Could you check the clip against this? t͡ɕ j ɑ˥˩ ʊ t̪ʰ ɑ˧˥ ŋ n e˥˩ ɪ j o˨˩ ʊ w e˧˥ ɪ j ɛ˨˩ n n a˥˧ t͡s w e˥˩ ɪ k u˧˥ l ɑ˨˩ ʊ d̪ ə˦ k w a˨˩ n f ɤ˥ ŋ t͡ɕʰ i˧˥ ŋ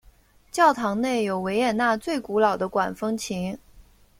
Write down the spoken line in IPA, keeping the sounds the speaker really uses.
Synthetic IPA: t͡ɕ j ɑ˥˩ ʊ t̪ʰ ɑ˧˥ ŋ n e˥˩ ɪ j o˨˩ ʊ w e˧˥ ɪ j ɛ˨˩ n n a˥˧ t͡s w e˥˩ ɪ k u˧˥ l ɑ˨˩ ʊ d̪ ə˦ k w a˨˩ n f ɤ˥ ŋ t͡ɕʰ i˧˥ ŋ